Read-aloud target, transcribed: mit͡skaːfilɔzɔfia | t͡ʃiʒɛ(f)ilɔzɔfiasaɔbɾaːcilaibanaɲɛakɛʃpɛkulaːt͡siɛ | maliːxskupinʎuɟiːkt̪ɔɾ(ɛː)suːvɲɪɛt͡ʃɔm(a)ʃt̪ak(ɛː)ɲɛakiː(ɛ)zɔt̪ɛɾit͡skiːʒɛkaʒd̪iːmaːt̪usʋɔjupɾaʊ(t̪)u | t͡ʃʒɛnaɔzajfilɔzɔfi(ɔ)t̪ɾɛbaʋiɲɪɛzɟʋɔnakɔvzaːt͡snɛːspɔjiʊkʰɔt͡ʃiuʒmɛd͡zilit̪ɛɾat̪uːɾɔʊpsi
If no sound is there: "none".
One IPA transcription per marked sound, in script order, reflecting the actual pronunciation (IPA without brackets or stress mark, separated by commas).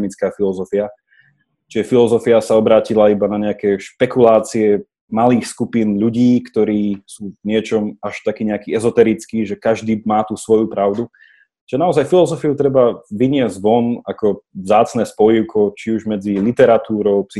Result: f, iː, a, iː, ɛ, d̪, u